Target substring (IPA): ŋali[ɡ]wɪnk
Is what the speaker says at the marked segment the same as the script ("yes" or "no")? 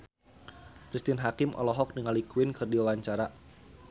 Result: no